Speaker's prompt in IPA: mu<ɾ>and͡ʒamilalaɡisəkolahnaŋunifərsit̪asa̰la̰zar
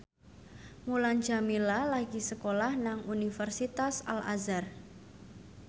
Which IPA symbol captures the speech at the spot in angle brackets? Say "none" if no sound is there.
l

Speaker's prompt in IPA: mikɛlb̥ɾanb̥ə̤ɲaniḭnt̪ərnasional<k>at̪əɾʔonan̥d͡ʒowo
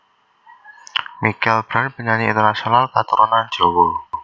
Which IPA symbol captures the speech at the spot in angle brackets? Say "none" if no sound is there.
k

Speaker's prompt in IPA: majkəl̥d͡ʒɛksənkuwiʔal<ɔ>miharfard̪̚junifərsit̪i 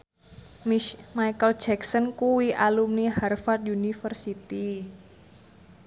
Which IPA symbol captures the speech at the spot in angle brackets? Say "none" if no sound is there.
u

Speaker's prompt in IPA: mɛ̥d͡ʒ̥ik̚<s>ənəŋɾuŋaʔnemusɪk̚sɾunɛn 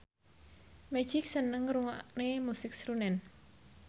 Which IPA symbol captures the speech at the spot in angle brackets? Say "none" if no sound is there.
s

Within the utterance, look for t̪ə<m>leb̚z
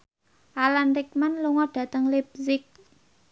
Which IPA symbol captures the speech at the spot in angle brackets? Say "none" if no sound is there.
ŋ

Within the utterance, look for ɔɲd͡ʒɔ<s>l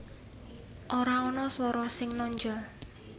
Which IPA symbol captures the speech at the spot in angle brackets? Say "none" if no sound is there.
none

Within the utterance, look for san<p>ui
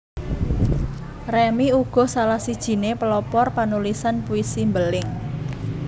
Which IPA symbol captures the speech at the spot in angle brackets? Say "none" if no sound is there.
p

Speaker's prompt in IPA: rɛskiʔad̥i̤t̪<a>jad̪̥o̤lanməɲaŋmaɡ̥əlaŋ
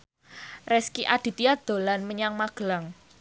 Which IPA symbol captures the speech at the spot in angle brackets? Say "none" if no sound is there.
i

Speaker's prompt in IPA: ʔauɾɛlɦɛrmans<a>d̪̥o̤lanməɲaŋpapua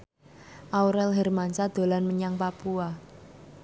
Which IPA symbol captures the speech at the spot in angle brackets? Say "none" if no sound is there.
a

